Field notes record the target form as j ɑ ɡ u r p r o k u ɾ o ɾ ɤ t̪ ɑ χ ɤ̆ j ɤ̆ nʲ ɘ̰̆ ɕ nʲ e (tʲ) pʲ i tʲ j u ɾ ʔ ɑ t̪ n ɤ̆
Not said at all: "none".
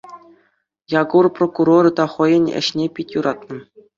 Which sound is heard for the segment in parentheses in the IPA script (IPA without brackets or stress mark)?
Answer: none